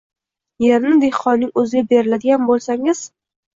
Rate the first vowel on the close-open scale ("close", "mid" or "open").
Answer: mid